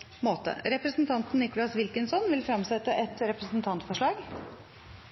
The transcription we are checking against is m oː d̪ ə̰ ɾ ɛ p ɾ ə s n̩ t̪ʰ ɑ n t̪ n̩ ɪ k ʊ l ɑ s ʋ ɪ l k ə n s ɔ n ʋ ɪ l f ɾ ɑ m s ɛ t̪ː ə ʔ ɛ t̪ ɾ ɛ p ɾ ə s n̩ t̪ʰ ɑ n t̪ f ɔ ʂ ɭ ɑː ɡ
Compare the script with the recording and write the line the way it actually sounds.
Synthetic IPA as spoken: m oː t̪ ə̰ ɾ ɛ p ɾ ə s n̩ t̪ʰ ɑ n t̪ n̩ ɪ k ʊ l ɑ s ʋ ɪ l k ə n s ɔ n ʋ ɪ l f ɾ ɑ m s ɛ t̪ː ə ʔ ɛ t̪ ɾ ɛ p ɾ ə s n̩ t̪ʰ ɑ n t̪ f ɔ ʂ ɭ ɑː ɡ

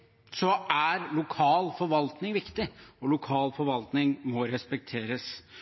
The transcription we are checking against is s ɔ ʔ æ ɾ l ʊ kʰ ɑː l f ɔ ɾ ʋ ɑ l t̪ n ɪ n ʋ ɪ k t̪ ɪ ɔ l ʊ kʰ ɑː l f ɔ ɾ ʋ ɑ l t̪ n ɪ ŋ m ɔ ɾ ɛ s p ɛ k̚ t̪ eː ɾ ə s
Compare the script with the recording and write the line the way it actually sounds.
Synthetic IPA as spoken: s ɔ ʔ æ ɾ l ʊ kʰ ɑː l f ɔ ɾ ʋ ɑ l t̪ n ɪ ŋ ʋ ɪ k t̪ ɪ ɔ l ʊ kʰ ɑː l f ɔ ɾ ʋ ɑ l t̪ n ɪ ŋ m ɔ ɾ ɛ s p ɛ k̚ t̪ʰ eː ɾ ə s

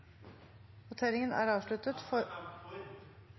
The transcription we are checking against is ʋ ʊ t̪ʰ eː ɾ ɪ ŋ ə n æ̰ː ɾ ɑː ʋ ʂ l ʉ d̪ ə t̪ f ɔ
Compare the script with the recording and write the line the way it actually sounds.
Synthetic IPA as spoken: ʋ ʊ t̪ʰ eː ɾ ɪ ŋ ə n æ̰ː ɾ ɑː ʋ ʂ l ʉ t̪ ə t̪ f ɔ

